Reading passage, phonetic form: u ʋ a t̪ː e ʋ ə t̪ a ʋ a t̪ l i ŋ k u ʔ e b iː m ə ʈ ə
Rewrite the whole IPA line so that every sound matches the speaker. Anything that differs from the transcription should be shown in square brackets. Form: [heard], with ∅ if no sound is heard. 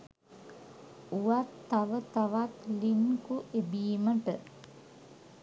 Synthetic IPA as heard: u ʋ a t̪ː [a] ʋ ə t̪ a ʋ a t̪ l i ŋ k u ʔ e b iː m ə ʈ ə